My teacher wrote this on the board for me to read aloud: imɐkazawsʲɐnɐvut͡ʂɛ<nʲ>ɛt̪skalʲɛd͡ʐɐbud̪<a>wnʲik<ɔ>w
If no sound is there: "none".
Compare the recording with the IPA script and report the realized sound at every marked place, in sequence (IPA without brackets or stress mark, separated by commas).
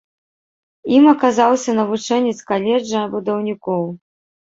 nʲ, ɐ, ɔ